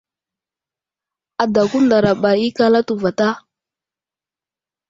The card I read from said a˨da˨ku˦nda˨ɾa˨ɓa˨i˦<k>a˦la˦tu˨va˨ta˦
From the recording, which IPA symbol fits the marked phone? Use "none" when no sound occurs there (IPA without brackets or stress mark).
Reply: k